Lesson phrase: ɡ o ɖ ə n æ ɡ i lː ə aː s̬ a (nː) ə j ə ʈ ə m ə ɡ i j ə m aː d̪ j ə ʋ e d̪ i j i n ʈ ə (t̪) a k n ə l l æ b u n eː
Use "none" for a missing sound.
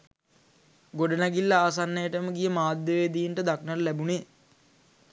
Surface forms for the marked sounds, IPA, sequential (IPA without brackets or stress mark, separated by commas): nː, d̪